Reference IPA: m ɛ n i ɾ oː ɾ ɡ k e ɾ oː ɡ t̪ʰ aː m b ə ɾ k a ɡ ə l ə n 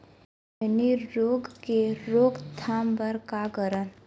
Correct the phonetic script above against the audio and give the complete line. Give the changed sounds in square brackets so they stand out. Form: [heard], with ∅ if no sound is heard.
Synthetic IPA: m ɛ n i ɾ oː [∅] ɡ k e ɾ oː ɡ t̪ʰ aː m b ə ɾ k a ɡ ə [ɾ] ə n